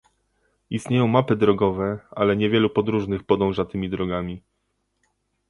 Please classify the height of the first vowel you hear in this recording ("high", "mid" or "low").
high